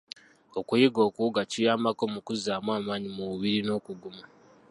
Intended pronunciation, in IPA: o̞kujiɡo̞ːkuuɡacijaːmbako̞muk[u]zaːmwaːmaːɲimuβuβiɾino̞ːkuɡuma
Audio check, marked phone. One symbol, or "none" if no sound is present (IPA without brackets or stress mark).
u